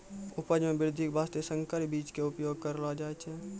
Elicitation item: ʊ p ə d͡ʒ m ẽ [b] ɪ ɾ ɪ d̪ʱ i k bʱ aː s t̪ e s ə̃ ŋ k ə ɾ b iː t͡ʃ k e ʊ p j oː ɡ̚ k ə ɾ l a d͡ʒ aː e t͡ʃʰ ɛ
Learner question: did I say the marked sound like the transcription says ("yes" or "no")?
yes